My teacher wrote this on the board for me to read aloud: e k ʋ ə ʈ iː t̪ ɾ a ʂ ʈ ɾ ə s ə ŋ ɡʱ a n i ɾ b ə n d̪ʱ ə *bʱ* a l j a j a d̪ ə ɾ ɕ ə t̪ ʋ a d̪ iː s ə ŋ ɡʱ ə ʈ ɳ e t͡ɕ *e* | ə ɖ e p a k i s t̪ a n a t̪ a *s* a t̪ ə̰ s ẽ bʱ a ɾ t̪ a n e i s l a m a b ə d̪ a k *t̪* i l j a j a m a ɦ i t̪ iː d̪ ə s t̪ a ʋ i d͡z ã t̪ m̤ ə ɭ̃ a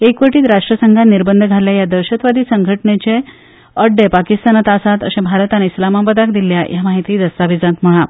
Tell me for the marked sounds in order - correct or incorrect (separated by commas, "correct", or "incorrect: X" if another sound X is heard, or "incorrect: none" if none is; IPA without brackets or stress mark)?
incorrect: ɡʱ, correct, correct, incorrect: d̪